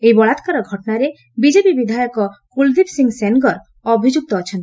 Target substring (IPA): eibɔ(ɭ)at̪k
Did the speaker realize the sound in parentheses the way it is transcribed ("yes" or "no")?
yes